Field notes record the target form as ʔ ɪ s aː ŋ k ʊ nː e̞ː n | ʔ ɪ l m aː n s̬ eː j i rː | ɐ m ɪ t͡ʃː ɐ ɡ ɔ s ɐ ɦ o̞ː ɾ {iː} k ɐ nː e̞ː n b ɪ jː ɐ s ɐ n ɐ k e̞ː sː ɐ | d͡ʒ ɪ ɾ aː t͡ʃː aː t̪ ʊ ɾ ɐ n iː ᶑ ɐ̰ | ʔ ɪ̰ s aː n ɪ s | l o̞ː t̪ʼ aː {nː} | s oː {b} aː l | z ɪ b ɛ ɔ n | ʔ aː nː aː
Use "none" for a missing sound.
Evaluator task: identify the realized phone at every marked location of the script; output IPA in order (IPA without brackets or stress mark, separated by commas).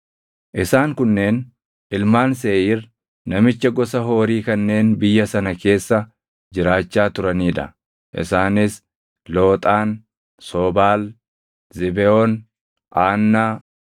iː, n, b